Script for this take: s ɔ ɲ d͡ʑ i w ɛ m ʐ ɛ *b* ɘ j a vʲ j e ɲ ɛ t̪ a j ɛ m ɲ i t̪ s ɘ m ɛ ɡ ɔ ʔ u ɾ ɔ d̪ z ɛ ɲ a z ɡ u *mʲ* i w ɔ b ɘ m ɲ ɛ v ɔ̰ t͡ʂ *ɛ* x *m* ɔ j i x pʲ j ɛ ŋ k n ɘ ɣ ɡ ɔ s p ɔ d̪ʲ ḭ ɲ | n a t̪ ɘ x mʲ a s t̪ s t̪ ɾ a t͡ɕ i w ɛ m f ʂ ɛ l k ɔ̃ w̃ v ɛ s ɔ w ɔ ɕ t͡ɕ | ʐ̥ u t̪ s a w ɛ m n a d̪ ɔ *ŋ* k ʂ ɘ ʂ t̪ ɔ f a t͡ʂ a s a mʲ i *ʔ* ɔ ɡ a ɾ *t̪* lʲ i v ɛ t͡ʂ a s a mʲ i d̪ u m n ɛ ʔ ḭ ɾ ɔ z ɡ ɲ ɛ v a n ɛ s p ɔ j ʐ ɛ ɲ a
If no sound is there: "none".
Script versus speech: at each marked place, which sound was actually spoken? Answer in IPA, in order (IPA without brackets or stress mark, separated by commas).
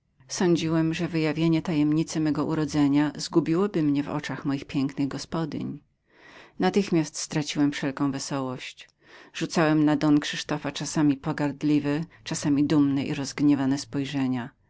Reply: v, bʲ, a, m, n, p, d̪